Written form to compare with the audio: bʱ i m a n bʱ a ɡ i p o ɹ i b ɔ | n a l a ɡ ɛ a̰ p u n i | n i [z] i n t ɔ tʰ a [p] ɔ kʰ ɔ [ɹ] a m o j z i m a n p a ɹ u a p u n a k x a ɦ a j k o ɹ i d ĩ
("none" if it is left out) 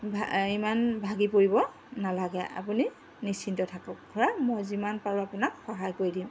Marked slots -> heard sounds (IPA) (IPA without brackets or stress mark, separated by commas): s, k, ɹ